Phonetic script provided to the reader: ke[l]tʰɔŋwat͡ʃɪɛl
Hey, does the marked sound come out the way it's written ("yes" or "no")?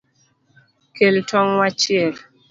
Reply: yes